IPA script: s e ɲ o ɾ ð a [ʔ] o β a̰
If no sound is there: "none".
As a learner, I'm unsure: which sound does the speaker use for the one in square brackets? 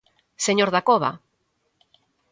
k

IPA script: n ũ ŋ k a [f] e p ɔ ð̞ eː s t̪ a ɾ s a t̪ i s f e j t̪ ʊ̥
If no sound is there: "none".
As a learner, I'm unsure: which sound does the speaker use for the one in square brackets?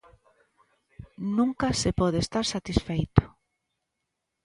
s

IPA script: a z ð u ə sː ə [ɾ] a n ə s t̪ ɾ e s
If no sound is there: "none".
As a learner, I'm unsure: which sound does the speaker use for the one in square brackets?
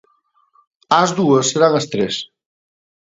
ɾ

